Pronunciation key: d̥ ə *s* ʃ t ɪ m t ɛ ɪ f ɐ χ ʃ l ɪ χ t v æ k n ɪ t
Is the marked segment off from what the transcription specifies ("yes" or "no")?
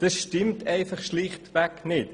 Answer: no